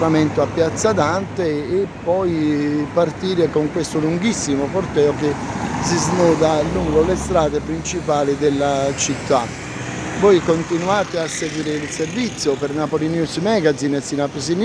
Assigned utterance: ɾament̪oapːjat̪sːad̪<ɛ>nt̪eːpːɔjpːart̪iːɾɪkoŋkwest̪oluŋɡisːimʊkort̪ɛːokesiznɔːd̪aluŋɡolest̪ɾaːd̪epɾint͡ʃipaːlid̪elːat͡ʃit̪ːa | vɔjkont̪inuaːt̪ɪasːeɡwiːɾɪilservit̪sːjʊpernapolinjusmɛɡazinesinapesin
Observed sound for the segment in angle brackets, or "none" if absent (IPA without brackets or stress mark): a